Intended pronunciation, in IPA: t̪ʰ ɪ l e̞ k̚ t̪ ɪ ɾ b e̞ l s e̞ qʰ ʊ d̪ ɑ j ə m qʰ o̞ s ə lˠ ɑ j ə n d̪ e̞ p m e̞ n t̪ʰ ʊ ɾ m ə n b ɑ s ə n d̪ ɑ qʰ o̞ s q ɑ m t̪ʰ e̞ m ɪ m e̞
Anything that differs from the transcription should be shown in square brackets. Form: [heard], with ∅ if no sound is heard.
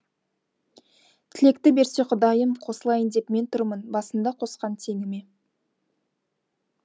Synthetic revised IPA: t̪ʰ ɪ l e̞ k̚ t̪ ɪ [∅] b e̞ [ɾ] s e̞ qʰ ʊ d̪ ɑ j ə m qʰ o̞ s ə lˠ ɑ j ə n d̪ e̞ p m e̞ n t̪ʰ ʊ ɾ m ə n b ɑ s ə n d̪ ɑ qʰ o̞ s q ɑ [n] t̪ʰ e̞ [ŋ] ɪ m e̞